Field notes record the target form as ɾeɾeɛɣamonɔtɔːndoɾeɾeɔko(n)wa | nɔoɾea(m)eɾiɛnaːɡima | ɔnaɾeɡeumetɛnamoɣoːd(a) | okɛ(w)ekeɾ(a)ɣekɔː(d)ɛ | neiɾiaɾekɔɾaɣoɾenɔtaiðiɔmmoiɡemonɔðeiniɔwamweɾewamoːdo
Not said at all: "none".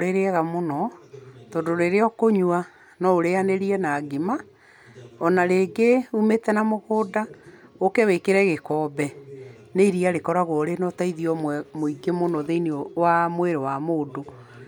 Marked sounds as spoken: ɲ, n, a, w, ɛ, b

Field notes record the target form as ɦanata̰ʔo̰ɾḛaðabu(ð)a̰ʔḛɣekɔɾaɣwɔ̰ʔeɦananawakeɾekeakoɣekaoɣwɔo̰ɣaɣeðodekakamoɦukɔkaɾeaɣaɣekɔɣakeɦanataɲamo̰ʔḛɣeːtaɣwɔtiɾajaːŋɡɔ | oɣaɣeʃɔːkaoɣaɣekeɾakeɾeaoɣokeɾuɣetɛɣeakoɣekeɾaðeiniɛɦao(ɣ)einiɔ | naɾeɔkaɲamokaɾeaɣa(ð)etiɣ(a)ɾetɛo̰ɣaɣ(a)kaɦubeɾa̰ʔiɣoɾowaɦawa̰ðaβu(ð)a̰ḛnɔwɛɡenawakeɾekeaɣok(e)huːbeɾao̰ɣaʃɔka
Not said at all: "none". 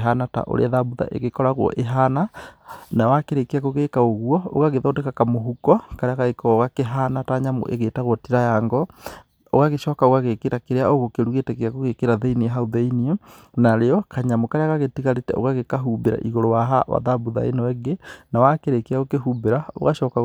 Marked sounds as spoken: ð, ð, ɣ, a, e, ð, e

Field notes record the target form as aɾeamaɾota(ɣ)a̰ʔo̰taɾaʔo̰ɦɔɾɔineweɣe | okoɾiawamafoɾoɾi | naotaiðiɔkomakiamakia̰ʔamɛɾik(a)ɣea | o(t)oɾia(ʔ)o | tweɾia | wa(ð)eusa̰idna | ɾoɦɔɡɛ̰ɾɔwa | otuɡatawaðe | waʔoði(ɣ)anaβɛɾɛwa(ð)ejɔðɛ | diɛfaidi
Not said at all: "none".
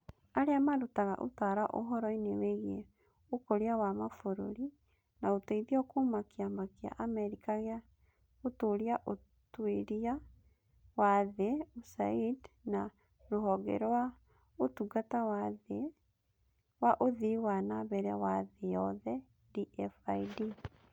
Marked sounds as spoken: ɣ, a, t, ʔ, ð, w, ð

